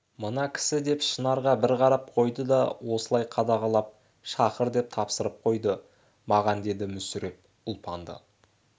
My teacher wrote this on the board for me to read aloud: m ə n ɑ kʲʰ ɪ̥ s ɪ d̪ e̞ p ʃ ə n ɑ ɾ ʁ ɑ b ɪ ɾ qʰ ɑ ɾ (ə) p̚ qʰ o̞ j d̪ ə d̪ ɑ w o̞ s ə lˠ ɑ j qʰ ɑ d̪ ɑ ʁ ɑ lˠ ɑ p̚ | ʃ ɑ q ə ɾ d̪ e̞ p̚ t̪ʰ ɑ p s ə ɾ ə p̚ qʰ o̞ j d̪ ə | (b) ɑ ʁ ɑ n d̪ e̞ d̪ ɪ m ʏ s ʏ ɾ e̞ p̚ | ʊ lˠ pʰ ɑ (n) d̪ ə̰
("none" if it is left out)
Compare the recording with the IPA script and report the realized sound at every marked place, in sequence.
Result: ɑ, m, n

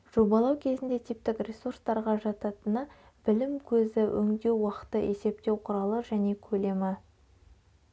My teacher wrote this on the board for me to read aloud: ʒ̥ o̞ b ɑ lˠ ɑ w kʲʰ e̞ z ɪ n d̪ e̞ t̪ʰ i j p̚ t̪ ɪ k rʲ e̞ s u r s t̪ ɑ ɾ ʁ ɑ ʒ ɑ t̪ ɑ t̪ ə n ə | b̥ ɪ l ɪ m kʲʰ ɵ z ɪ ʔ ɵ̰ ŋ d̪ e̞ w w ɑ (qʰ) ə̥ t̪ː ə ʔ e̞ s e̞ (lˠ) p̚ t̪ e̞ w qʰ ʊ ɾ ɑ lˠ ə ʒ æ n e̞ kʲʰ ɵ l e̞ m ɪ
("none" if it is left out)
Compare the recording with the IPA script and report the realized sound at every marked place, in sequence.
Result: q, none

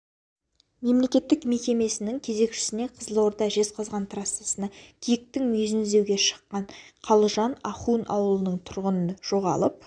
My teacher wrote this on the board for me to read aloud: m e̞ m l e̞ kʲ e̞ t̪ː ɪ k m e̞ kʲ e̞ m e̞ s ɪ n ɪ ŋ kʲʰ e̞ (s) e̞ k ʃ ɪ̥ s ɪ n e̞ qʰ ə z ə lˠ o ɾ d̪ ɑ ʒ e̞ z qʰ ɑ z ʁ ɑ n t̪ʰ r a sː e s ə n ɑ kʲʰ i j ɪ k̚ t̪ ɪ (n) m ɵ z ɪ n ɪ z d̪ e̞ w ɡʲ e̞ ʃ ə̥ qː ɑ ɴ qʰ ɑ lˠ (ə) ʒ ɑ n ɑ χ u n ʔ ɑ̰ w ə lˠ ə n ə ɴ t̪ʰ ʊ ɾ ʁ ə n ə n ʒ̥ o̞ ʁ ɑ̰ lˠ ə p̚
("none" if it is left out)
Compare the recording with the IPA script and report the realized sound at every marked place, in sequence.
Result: z, ŋ, ə

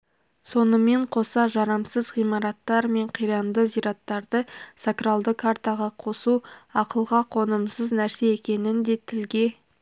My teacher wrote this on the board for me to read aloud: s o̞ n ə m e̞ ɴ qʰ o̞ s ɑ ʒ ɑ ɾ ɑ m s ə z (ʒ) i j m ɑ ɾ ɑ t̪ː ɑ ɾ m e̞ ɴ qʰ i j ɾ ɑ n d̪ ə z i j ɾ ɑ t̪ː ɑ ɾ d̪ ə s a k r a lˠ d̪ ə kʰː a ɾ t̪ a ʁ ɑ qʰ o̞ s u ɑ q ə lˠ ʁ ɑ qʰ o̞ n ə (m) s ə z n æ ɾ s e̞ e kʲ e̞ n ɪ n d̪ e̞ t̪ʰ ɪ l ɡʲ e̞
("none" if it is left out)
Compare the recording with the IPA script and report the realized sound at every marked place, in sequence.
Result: ʁ, m

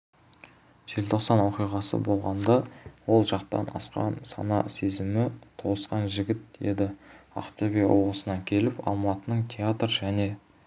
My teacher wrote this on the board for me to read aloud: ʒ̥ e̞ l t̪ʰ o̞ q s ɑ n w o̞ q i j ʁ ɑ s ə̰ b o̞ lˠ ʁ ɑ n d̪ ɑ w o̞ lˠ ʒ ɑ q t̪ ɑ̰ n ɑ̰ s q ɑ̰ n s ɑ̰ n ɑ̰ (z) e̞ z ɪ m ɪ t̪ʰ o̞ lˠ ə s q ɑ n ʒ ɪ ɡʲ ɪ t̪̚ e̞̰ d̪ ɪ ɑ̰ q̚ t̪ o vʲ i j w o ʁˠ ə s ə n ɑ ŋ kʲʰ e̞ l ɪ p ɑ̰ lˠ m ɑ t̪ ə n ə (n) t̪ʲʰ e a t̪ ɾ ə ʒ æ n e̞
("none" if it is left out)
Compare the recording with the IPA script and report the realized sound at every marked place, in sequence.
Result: s, ɴ

